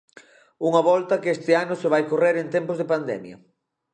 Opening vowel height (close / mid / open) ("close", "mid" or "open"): close